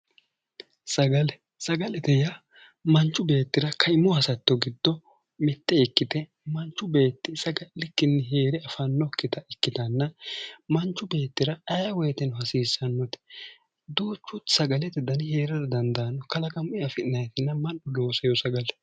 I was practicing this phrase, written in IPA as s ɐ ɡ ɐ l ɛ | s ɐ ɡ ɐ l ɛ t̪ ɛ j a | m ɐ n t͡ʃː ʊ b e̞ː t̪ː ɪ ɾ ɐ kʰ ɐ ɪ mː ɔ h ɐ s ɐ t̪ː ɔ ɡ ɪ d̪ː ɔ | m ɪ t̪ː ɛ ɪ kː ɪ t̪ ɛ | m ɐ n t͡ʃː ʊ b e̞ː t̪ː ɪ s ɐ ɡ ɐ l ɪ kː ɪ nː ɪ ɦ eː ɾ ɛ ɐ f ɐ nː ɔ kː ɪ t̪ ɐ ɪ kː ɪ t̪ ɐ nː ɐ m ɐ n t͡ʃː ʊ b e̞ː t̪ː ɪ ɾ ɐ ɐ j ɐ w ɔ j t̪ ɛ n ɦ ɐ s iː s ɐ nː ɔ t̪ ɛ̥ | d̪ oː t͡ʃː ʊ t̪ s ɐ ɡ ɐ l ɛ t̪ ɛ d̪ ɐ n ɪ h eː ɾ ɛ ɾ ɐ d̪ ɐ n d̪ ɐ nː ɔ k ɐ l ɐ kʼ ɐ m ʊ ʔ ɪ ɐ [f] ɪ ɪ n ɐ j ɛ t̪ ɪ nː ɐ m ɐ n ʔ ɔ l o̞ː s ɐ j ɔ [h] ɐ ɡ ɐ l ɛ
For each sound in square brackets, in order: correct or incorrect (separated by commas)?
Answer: correct, incorrect